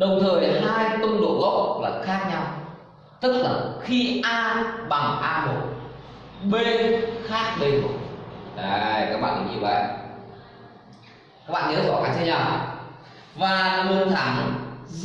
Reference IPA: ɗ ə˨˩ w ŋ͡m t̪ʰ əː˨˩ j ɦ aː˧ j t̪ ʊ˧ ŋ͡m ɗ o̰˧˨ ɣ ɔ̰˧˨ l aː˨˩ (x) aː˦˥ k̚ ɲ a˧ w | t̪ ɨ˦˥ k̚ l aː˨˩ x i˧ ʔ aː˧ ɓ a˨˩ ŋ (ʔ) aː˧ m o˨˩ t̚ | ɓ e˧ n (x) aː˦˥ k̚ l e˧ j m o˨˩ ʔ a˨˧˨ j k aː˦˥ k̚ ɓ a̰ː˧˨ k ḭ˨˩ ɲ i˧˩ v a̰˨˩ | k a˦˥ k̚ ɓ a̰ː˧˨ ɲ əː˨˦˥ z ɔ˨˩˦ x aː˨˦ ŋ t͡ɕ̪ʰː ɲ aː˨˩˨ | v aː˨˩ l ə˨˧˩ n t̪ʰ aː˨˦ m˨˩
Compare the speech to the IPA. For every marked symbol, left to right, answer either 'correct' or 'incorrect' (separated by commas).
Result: correct, correct, correct